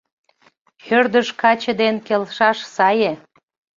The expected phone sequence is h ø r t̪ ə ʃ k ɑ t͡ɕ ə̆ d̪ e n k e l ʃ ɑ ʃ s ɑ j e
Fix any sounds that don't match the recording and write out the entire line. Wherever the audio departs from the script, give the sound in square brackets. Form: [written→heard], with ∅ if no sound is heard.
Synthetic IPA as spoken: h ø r [t̪→d̪] ə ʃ k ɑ t͡ɕ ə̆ d̪ e n k e l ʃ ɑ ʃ s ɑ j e